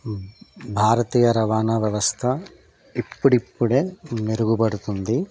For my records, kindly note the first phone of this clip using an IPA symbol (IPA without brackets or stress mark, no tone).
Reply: bʱ